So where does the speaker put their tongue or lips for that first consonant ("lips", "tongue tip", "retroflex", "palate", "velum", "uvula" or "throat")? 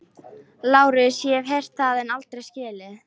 tongue tip